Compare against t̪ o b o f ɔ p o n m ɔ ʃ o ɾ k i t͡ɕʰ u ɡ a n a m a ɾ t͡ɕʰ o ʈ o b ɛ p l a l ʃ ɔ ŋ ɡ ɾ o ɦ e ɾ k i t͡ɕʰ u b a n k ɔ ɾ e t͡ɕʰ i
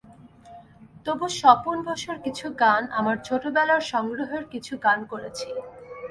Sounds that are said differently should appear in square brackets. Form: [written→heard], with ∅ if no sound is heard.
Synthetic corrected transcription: t̪ o b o [f→ʃ] ɔ p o n [m→b] ɔ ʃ o ɾ k i t͡ɕʰ u ɡ a n a m a ɾ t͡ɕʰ o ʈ o b ɛ [p→∅] l a [l→ɾ] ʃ ɔ ŋ ɡ ɾ o ɦ e ɾ k i t͡ɕʰ u [b→ɡ] a n k [ɔ→o] ɾ e t͡ɕʰ i